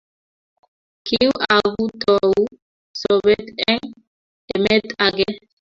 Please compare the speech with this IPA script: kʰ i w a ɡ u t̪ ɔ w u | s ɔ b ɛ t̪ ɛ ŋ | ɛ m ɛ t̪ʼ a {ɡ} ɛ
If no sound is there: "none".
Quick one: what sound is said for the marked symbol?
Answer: ɡ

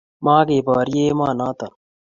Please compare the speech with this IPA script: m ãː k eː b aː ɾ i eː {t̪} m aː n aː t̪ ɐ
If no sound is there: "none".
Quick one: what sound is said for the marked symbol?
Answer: none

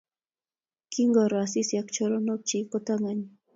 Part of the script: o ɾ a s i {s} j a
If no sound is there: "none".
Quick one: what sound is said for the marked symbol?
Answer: s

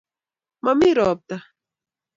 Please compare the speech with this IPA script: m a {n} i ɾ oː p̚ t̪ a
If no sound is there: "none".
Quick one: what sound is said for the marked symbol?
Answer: m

